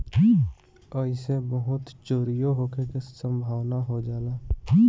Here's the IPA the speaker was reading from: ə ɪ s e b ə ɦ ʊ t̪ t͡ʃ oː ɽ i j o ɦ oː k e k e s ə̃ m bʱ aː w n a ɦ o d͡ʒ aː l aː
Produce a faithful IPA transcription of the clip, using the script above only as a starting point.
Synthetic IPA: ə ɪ s e b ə ɦ ʊ t̪ t͡ʃ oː ɾ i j o ɦ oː k e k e s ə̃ m bʱ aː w n a ɦ o d͡ʒ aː l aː